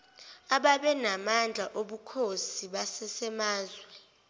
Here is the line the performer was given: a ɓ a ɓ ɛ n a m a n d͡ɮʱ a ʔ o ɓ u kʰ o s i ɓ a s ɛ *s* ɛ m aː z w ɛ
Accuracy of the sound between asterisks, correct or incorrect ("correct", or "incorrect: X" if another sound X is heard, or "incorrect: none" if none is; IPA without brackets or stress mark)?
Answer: correct